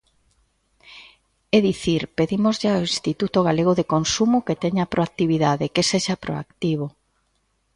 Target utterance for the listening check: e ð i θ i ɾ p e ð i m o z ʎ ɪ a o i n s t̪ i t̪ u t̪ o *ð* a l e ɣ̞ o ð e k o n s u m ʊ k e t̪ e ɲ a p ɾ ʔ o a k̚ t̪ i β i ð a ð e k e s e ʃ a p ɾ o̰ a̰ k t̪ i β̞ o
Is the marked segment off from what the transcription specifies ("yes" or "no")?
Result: yes